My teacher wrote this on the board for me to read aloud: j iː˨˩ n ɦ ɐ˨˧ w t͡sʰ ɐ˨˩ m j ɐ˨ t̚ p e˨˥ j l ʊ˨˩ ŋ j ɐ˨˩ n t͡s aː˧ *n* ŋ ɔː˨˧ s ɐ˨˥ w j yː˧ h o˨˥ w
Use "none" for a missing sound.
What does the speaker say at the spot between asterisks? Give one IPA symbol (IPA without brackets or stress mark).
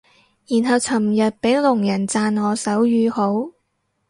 n